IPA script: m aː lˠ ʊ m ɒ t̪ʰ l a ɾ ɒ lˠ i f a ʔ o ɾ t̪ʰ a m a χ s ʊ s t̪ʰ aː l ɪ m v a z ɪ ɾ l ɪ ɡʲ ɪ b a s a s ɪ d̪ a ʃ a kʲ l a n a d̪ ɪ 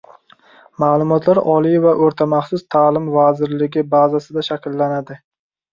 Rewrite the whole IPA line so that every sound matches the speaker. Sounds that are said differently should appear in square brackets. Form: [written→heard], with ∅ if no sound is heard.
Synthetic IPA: m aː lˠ ʊ m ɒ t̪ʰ l a ɾ ɒ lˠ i [f→v] a ʔ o ɾ t̪ʰ a m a χ s ʊ s t̪ʰ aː l ɪ m v a z ɪ ɾ l ɪ ɡʲ ɪ b a [s→z] a s ɪ d̪ a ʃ a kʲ [l→lː] a n a d̪ ɪ